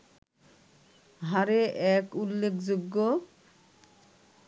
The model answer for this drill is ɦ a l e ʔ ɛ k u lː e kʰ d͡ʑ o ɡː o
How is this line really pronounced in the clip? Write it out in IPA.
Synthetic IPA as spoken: ɦ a ɾ e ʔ ɛ k u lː e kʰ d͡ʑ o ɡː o